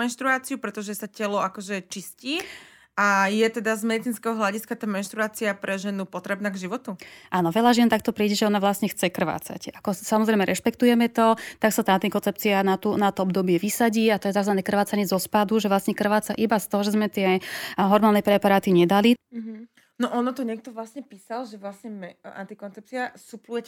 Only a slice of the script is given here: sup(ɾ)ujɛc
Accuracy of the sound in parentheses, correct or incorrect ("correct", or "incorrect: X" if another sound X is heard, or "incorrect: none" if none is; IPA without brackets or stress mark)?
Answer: incorrect: l